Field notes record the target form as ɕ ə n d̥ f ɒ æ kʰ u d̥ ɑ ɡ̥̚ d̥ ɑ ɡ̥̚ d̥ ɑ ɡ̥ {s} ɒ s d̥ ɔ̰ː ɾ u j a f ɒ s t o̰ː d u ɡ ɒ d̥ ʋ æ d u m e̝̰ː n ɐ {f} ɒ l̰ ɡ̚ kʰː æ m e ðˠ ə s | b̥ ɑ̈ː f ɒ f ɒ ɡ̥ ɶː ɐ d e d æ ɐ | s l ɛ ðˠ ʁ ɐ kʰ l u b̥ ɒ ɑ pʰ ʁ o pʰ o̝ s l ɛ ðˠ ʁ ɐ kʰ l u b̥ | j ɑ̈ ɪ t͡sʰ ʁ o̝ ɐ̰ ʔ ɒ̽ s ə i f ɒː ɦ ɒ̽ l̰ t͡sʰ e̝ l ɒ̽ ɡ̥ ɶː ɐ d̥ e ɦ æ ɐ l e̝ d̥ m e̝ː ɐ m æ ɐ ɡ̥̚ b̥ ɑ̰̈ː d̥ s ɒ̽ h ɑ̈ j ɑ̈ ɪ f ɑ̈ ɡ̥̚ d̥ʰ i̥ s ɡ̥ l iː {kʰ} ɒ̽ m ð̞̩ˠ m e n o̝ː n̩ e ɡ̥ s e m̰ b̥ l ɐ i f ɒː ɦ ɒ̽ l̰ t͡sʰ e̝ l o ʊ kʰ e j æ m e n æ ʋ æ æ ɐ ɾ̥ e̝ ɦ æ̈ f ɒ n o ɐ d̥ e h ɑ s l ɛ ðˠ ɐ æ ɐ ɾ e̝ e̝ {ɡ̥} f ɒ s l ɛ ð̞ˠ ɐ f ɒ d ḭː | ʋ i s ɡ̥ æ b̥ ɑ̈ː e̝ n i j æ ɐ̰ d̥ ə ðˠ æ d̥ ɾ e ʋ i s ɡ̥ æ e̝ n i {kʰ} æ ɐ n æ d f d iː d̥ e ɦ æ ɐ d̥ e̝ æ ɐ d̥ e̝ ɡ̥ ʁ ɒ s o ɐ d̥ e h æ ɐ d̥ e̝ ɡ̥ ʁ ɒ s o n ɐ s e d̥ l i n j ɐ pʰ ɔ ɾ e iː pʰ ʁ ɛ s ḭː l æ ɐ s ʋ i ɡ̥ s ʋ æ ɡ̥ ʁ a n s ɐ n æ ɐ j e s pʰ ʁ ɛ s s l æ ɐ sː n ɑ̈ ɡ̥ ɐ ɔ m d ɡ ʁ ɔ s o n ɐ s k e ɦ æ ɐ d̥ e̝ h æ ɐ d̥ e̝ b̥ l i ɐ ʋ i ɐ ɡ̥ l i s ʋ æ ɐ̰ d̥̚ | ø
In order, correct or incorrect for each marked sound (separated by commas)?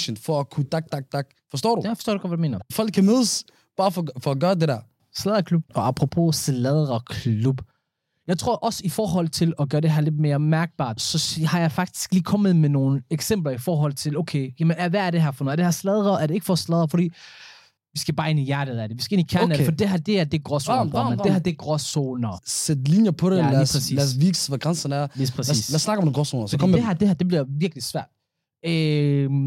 incorrect, correct, correct, correct, correct